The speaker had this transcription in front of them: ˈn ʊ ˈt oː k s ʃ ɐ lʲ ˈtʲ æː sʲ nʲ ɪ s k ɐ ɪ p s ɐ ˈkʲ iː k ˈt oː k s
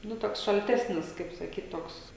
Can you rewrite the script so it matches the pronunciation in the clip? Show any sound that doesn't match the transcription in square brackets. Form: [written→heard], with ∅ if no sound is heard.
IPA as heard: ˈn ʊ ˈt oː k s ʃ ɐ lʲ ˈtʲ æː sʲ nʲ ɪ s k ɐ ɪ p s ɐ ˈkʲ iː [k→t] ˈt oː k s